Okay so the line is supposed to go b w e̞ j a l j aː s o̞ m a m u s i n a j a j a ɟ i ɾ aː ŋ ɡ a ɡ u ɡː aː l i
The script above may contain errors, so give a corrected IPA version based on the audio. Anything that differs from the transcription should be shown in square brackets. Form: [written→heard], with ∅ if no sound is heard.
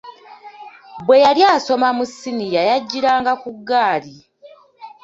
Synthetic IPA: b w e̞ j a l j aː s o̞ m a m u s i n [a→i] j a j a [ɟ→ɟː] i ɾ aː ŋ ɡ a [ɡ→k] u ɡː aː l i